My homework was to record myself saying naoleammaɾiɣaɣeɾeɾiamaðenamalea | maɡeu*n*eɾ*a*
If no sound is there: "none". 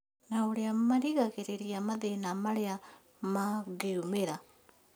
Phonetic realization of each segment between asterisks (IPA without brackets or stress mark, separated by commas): m, a